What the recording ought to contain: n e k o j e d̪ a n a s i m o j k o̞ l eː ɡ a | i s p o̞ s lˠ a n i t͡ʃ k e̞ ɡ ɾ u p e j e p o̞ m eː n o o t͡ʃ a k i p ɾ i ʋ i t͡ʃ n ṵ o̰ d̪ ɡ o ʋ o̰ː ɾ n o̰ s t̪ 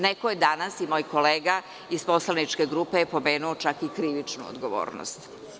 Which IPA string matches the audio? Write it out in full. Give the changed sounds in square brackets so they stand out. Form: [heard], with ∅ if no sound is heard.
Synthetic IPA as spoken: n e k o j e d̪ a n a s i m o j k o̞ l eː ɡ a | i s p o̞ s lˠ a n i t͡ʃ k e̞ ɡ ɾ u p e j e p o̞ m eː n [u] o t͡ʃ a k i [k] ɾ i ʋ i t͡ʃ n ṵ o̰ d̪ ɡ o ʋ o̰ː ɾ n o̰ s t̪